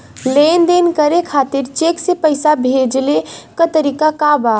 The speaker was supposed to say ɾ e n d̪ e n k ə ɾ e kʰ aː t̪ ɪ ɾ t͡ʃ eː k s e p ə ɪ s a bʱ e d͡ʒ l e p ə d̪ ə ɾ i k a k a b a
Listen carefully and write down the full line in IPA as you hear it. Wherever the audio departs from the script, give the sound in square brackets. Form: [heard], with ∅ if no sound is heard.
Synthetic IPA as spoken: [l] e n d̪ e n k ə ɾ e kʰ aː t̪ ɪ ɾ t͡ʃ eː k s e p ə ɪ s a bʱ e d͡ʒ l e [k] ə [t̪] ə ɾ i k a k a b a

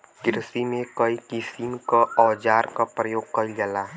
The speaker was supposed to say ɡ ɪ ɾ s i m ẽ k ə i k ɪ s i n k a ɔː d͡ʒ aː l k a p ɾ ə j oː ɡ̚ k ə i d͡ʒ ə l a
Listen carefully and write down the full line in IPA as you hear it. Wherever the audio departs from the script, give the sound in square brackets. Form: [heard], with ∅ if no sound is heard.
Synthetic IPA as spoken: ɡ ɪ ɾ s i m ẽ k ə i k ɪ s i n k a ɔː d͡ʒ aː [ɾ] k a p ɾ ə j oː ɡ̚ k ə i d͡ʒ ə l a

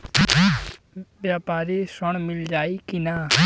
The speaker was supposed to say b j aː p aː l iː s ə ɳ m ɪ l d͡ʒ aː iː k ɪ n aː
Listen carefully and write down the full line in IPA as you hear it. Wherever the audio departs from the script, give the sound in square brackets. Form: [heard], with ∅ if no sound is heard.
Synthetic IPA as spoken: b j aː p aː [ɾ] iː s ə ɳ m ɪ l d͡ʒ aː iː k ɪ n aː

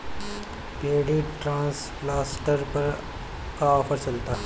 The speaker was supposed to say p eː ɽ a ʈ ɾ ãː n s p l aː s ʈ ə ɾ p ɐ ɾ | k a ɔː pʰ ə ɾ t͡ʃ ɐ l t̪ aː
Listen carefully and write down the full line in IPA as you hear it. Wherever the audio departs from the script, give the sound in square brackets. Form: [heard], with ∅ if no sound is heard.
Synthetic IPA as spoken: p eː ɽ [i] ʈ ɾ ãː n s p l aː s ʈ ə ɾ p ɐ ɾ | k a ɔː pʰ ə ɾ t͡ʃ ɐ l t̪ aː

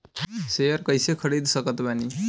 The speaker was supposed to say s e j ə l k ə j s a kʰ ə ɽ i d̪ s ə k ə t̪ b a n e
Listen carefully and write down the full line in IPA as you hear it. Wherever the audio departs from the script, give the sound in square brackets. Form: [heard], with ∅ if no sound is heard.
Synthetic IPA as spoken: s e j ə [ɾ] k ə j s [e] kʰ ə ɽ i d̪ s ə k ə t̪ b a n [i]

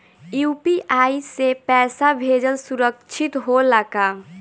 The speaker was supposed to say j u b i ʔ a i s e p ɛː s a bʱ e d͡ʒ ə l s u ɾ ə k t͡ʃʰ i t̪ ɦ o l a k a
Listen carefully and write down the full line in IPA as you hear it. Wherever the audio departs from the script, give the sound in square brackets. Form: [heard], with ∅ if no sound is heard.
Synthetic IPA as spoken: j u [p] i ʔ a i s e p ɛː s a bʱ e d͡ʒ ə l s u ɾ ə k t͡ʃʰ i t̪ ɦ o l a k a

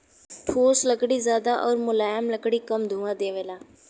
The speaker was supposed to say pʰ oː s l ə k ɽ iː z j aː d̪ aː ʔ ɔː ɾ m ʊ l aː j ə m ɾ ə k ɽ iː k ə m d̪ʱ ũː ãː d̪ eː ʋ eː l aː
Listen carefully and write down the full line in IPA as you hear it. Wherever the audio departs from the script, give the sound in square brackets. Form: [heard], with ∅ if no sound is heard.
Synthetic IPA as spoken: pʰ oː s l ə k ɽ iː z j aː d̪ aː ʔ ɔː ɾ m ʊ l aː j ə m [l] ə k ɽ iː k ə m d̪ʱ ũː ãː d̪ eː ʋ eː l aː

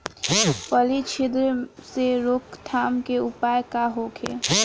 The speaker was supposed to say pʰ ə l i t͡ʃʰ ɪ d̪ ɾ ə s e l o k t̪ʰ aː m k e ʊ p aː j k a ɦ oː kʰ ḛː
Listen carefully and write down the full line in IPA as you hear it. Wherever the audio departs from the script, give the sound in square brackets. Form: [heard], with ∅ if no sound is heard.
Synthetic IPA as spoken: [p] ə l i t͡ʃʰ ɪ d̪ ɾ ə s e [ɾ] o k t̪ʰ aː m k e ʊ p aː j k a ɦ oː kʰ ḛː

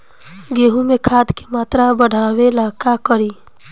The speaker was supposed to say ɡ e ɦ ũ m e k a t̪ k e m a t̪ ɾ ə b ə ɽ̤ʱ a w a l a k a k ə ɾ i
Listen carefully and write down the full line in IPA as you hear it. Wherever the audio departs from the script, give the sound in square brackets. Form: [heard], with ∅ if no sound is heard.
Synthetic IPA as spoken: ɡ e ɦ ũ m e [kʰ] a [d̪] k e m a t̪ ɾ [a] b ə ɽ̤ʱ a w [e] l a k a k ə ɾ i

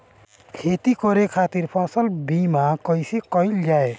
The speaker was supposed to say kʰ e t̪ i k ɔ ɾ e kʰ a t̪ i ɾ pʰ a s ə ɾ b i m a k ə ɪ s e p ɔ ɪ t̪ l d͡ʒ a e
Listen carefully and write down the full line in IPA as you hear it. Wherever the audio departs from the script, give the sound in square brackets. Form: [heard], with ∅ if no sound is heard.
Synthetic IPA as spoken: kʰ e t̪ i k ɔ ɾ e kʰ a t̪ i ɾ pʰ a s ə [l] b i m a k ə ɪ s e [k] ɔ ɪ [∅] l d͡ʒ a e

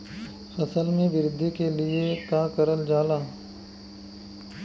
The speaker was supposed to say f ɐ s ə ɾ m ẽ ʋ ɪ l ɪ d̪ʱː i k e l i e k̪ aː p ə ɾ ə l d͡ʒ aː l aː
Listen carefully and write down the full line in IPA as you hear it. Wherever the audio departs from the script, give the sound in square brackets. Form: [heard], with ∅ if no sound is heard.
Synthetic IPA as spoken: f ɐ s ə [l] m ẽ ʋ ɪ [ɾ] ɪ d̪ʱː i k e l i e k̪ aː [k] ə ɾ ə l d͡ʒ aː l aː

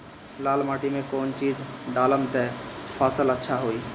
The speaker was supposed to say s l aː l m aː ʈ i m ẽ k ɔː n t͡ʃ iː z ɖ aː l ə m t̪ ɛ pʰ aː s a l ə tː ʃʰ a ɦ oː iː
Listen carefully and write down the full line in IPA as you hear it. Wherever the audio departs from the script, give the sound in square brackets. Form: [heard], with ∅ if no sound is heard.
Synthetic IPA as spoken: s l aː l m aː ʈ i m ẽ k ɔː n t͡ʃ iː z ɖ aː l ə m t̪ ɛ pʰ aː s [ə] l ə tː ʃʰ a ɦ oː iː

